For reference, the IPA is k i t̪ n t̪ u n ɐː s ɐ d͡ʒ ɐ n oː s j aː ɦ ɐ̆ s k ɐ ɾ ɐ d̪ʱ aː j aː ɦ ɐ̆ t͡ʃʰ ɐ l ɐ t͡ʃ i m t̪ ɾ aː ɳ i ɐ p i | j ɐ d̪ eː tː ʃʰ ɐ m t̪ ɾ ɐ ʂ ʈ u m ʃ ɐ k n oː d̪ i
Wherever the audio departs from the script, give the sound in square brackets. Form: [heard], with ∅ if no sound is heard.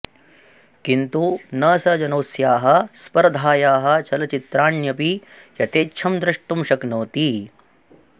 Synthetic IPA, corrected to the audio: k i [∅] n t̪ u n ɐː s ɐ d͡ʒ ɐ n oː s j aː ɦ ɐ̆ s [p] ɐ ɾ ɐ d̪ʱ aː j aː ɦ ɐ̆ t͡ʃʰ ɐ l ɐ t͡ʃ i [∅] t̪ ɾ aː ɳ [j] ɐ p i | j ɐ [t̪] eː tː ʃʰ ɐ m [d̪] ɾ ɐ ʂ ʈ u m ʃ ɐ k n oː [t̪] i